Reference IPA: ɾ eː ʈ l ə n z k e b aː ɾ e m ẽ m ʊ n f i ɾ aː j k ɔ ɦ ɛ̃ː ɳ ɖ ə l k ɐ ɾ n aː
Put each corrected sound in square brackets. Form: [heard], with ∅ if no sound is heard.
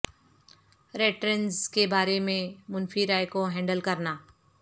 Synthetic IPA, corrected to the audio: ɾ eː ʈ [ɾ] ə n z k e b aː ɾ e m ẽ m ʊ n f i ɾ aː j k [o] ɦ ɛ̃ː ɳ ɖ ə l k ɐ ɾ n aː